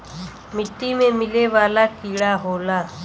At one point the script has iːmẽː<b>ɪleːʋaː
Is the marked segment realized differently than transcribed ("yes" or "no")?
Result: yes